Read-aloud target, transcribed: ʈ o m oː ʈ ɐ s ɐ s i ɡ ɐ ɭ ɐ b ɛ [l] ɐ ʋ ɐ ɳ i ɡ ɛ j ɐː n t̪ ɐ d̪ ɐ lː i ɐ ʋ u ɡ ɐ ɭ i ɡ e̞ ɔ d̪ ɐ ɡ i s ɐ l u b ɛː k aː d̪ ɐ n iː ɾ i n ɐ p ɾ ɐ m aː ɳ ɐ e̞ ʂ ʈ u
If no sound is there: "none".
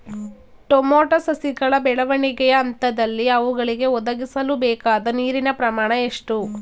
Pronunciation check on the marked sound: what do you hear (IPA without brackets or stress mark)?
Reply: ɭ